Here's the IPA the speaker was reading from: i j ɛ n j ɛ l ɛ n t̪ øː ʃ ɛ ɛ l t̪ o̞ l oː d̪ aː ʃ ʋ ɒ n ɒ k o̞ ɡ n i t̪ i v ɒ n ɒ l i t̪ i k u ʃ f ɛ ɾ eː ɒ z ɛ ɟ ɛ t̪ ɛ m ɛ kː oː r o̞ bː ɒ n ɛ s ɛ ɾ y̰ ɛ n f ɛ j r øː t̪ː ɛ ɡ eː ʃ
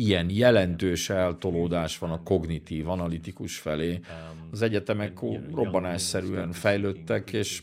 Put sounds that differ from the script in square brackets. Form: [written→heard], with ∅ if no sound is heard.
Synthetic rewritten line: i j ɛ n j ɛ l ɛ n t̪ øː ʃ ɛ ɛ l t̪ o̞ l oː d̪ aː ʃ ʋ ɒ n ɒ k o̞ ɡ n i t̪ [i→iː] v ɒ n ɒ l i t̪ i k u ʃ f ɛ [ɾ→l] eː ɒ z ɛ ɟ ɛ t̪ ɛ m ɛ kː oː r o̞ bː ɒ n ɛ s ɛ ɾ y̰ ɛ n f ɛ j [r→l] øː t̪ː ɛ [ɡ→k] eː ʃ